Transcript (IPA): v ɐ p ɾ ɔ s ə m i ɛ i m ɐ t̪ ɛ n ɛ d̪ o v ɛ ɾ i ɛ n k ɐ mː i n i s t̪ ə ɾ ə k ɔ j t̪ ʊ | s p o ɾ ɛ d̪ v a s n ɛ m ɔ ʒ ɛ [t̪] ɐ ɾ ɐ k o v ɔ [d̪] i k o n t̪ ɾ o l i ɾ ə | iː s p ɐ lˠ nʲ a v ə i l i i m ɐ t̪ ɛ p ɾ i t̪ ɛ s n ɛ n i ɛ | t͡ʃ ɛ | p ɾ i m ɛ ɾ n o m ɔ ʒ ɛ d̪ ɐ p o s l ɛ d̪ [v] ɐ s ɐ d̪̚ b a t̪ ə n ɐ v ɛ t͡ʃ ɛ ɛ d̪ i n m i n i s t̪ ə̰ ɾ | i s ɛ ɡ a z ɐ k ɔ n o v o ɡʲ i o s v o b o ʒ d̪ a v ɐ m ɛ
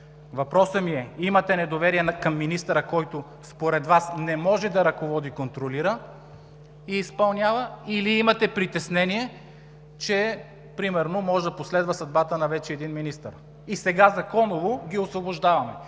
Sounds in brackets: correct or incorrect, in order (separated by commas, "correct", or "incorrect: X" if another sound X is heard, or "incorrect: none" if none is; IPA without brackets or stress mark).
incorrect: d̪, correct, correct